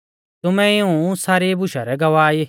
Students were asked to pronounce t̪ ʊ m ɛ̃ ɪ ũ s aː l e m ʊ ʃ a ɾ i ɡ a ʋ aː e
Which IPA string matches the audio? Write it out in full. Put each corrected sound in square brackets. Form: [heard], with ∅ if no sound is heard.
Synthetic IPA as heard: t̪ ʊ m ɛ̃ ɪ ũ s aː [ɾ] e [b] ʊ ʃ a ɾ [ɛ] ɡ [ɐ] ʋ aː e